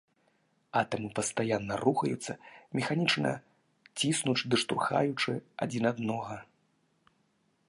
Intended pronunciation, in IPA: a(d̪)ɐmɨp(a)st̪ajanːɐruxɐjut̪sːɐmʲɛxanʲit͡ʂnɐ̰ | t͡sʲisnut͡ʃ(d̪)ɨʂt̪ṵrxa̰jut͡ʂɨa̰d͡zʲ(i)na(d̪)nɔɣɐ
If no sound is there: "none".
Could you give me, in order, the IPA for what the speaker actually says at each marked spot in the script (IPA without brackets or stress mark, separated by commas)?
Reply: t̪, ɐ, d̪, i, d̪